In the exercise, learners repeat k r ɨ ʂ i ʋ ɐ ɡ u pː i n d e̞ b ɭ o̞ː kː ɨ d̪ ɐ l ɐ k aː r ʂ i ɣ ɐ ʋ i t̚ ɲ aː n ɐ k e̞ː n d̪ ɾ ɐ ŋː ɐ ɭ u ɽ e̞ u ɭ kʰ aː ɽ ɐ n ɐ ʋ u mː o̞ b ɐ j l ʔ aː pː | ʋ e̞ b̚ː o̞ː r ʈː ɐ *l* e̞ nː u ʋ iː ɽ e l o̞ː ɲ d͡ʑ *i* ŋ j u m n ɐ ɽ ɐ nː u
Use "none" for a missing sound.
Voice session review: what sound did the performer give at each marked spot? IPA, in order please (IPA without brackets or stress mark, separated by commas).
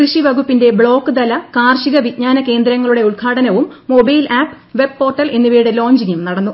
l, i